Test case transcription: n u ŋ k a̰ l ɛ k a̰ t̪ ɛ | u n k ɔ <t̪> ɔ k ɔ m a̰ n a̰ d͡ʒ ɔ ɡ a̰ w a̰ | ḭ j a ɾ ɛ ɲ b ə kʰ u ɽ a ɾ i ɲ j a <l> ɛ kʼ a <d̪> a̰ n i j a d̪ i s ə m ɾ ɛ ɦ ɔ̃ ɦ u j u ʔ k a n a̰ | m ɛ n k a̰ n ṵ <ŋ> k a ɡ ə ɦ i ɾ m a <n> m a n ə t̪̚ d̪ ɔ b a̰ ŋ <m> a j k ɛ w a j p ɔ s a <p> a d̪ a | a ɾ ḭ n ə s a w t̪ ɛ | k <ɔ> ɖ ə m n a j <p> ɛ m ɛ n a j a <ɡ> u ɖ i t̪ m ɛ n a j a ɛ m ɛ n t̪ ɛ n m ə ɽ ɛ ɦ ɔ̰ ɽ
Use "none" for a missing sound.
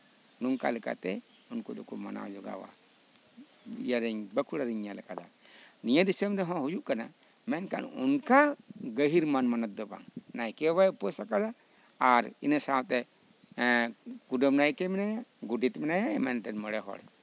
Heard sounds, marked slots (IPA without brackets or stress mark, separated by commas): d̪, l, d̪, n, n, n, k, u, k, ɡ